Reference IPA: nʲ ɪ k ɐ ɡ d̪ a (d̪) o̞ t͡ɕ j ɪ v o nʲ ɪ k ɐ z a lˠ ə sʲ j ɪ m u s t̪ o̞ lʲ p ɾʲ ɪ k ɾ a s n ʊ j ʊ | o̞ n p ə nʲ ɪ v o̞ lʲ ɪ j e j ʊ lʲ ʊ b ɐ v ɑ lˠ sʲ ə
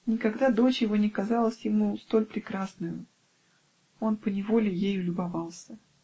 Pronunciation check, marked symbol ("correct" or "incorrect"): correct